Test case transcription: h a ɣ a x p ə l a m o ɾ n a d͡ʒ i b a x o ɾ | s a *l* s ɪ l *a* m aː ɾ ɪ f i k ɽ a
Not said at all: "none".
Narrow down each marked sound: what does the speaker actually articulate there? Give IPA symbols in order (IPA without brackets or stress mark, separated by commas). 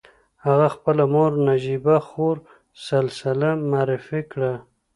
l, a